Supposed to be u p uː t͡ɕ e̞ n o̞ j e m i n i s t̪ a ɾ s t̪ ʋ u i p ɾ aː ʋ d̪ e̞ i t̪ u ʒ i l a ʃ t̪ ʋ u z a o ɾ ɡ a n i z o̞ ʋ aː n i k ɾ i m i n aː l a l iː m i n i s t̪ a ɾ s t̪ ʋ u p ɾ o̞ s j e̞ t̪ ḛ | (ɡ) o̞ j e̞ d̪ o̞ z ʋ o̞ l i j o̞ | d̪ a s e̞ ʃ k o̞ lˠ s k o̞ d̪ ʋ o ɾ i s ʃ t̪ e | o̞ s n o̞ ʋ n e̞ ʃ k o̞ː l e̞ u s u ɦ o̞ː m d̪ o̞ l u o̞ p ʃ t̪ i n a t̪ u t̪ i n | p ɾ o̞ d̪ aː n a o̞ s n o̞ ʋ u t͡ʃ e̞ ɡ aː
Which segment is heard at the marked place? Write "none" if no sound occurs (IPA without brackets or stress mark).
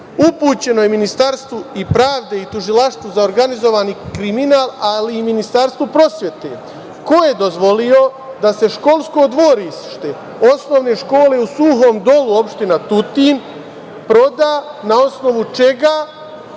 k